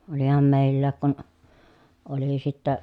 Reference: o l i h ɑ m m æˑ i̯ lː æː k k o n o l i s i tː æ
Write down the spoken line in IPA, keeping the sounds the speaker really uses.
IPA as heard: o l i h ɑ m m eˑ i̯ lː æː k k u n o l i s i tː æ